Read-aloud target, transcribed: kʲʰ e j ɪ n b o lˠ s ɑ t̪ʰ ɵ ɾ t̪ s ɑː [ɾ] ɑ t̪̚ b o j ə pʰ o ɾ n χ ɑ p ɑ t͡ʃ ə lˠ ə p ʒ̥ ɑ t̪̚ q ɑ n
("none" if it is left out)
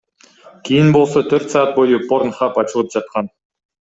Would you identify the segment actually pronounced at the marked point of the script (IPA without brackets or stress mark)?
none